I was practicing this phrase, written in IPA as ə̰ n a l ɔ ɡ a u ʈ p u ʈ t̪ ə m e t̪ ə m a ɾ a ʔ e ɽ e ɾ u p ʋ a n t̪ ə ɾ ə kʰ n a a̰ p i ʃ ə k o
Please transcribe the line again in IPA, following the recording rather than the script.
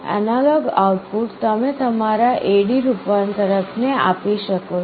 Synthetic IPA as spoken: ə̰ n a l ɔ ɡ a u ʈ p u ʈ t̪ ə m e t̪ ə m a ɾ a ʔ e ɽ i ɾ u p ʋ a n t̪ ə ɾ ə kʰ n e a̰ p i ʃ ə k o